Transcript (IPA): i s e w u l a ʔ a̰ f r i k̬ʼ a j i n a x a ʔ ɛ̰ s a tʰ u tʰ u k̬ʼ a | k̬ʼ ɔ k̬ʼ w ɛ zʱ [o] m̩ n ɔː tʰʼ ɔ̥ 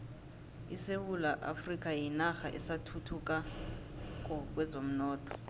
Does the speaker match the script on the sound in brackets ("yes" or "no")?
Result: yes